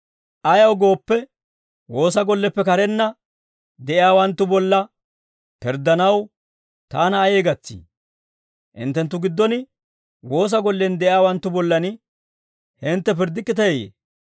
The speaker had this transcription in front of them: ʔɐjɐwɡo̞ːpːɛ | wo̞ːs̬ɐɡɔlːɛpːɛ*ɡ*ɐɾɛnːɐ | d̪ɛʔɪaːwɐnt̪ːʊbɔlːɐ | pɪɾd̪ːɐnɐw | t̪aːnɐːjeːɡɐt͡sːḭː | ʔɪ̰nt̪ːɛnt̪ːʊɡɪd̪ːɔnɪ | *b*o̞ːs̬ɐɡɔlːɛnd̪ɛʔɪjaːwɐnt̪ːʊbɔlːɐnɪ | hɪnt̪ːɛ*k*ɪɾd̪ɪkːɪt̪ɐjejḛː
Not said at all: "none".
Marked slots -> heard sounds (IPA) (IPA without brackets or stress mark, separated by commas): k, w, p